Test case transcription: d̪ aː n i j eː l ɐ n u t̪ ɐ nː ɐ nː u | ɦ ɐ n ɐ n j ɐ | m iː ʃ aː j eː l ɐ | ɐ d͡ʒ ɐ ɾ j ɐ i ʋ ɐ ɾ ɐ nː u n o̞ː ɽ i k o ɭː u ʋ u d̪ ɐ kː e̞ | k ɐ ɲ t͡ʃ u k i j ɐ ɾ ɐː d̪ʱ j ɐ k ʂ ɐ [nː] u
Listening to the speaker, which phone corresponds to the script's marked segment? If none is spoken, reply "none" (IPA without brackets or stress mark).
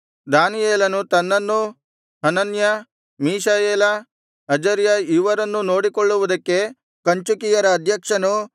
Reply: n